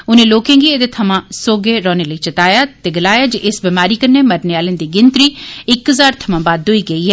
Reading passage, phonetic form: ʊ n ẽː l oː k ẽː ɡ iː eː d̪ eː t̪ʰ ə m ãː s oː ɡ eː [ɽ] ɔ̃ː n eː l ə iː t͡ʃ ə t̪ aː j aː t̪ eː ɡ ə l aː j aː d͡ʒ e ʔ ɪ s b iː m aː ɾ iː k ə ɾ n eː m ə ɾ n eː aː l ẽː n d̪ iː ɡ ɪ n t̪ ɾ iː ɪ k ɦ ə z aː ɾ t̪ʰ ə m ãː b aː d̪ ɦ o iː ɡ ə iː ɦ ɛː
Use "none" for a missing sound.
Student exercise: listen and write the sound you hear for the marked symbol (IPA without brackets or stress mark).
ɾ